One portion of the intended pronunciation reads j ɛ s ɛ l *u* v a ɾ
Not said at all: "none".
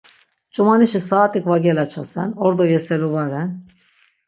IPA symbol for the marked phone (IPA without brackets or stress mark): u